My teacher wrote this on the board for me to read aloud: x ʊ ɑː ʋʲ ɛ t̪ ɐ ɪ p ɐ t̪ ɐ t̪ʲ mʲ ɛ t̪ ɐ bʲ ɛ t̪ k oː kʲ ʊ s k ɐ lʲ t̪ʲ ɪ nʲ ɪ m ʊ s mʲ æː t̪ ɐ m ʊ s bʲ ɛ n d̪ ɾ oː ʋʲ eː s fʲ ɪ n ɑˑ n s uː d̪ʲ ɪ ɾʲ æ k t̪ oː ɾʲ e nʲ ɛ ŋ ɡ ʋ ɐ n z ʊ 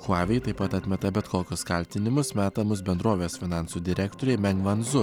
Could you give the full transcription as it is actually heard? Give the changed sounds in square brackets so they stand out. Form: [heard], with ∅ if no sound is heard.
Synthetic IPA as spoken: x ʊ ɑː ʋʲ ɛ t̪ ɐ ɪ p ɐ t̪ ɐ t̪ʲ mʲ ɛ t̪ ɐ bʲ ɛ t̪ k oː kʲ ʊ s k ɐ lʲ t̪ʲ ɪ nʲ ɪ m ʊ s mʲ æː t̪ ɐ m ʊ s bʲ ɛ n d̪ ɾ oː ʋʲ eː s fʲ ɪ n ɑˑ n s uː d̪ʲ ɪ ɾʲ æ k t̪ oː ɾʲ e [mʲ] ɛ ŋ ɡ ʋ ɐ n z ʊ